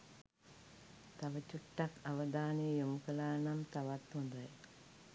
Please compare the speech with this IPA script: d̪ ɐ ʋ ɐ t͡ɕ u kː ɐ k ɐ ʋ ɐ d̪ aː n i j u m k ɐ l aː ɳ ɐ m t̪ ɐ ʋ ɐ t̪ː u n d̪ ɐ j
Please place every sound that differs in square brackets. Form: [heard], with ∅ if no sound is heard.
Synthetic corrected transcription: [t̪] ɐ ʋ ɐ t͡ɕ u [ʈː] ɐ k ɐ ʋ ɐ d̪ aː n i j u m k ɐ l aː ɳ ɐ m t̪ ɐ ʋ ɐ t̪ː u n d̪ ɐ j